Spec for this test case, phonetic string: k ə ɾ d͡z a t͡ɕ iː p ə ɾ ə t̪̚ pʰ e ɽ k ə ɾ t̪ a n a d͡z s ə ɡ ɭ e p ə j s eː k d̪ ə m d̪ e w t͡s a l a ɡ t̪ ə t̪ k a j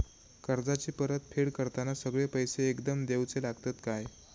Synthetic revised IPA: k ə ɾ d͡z a t͡ɕ iː p ə ɾ ə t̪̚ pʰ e ɽ k ə ɾ t̪ a n a s ə ɡ ɭ e p ə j s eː k d̪ ə m d̪ e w t͡s e l a ɡ t̪ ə t̪ k a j